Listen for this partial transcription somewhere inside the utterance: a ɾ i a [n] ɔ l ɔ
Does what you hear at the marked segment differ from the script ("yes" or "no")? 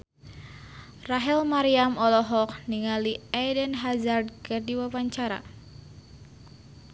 yes